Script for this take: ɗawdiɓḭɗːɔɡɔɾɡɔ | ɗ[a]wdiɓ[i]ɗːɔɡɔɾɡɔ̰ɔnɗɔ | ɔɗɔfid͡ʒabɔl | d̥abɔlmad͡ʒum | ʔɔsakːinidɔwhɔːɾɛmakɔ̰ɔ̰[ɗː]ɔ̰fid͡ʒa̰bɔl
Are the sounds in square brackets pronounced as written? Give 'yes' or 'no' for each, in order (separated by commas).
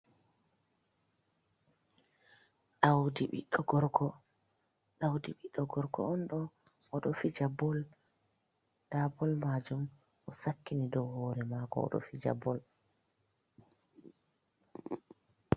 yes, yes, no